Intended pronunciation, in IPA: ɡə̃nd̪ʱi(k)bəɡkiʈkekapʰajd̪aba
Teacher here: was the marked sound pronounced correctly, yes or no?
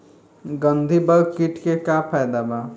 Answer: no